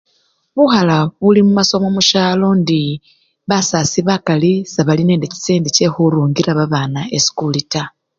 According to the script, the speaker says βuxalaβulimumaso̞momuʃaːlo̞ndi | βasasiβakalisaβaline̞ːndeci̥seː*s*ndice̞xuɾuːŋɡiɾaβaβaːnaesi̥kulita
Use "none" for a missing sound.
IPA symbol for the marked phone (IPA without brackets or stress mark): none